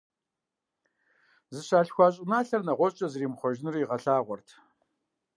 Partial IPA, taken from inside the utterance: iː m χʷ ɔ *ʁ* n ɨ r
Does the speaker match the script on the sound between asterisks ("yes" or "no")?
no